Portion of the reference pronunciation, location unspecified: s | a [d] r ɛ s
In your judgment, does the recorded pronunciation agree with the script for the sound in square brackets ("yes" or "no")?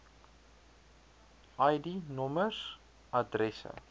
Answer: yes